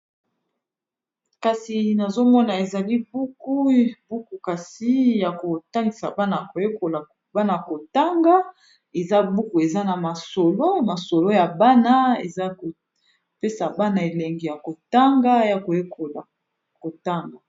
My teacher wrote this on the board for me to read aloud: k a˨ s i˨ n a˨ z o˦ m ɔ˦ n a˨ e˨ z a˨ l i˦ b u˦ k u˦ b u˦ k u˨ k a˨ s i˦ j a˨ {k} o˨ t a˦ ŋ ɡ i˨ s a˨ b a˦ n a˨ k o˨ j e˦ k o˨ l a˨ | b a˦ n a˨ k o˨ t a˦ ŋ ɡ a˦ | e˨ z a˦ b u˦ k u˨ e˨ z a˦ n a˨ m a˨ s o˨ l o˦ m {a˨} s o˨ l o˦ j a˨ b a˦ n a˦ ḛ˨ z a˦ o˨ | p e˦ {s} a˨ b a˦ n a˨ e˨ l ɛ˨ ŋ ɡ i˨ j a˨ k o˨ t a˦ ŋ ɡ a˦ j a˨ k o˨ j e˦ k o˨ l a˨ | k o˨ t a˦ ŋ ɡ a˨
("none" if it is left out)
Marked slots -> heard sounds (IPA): k, a˨, s

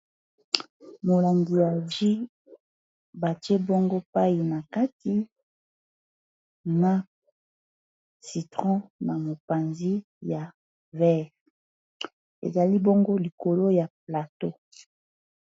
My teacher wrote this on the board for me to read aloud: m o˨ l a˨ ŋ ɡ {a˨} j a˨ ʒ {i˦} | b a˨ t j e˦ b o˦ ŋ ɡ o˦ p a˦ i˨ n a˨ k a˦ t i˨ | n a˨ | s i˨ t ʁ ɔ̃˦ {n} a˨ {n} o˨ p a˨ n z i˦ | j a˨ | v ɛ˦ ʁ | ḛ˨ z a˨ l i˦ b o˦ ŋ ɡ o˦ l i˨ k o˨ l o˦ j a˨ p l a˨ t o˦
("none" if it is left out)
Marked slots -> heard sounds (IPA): i˨, i˦, n, m

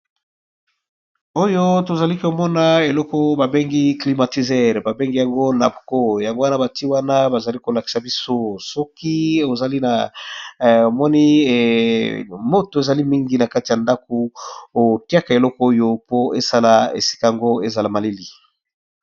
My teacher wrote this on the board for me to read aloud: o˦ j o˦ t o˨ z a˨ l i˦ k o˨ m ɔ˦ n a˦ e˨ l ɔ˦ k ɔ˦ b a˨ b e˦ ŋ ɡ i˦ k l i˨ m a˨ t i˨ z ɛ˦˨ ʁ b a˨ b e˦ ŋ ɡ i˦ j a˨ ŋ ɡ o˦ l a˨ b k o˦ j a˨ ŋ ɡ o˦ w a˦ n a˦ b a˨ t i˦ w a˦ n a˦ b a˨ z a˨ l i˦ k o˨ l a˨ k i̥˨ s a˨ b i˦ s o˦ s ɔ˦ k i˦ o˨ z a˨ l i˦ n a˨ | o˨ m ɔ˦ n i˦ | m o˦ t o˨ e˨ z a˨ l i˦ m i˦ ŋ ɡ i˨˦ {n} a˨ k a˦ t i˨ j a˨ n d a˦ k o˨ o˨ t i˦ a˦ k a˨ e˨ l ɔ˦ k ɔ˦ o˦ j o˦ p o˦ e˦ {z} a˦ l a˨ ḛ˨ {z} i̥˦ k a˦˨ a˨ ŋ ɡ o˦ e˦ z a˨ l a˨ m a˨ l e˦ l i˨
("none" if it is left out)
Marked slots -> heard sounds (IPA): n, s, s

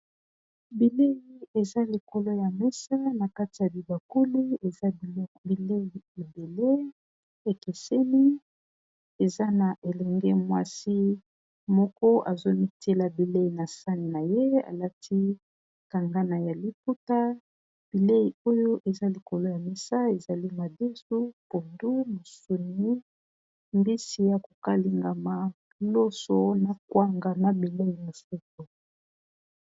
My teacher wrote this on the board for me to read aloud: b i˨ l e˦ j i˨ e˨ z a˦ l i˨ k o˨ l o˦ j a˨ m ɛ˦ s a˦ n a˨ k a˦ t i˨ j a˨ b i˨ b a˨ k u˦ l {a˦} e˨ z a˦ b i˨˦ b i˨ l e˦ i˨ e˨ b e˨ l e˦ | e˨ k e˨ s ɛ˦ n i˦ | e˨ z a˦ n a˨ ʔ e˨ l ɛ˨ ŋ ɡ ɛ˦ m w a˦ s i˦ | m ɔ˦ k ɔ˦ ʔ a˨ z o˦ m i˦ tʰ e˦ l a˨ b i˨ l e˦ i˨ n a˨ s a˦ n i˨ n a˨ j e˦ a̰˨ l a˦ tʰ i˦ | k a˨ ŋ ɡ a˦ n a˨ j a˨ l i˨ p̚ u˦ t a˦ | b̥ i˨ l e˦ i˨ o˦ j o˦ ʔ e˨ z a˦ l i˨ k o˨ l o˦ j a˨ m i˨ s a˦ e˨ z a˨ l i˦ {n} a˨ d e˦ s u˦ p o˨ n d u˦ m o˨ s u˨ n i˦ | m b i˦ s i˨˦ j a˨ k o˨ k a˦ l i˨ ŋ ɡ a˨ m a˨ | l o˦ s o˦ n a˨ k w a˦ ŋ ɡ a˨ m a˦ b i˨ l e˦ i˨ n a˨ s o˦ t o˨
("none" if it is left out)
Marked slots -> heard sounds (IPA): i˦, m

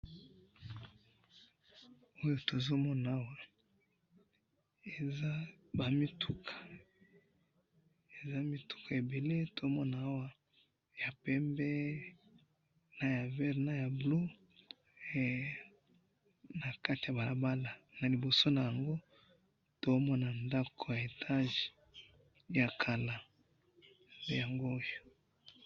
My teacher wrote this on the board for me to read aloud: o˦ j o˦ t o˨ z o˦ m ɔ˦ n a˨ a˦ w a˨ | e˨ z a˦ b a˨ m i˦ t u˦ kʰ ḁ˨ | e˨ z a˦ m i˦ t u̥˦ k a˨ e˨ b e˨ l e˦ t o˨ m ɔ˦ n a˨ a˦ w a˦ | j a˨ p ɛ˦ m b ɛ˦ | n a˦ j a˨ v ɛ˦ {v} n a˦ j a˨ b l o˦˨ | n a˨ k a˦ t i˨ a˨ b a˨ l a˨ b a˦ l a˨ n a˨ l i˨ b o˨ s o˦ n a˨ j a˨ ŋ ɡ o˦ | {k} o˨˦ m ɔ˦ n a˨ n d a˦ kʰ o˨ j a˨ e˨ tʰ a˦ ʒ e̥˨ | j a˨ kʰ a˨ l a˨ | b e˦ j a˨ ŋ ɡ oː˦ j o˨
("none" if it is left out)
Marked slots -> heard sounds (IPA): ʁ, t

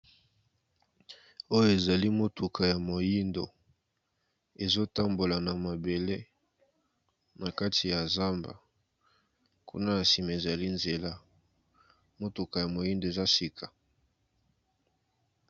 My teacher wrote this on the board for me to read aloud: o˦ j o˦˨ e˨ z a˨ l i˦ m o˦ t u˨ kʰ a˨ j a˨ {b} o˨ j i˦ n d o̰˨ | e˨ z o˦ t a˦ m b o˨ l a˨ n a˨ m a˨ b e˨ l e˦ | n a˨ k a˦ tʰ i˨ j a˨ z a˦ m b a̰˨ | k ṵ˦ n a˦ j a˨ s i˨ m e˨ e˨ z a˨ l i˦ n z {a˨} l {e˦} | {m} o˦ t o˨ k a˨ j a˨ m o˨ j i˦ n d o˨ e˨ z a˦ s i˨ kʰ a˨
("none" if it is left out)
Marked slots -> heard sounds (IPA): m, e˨, a˦, m

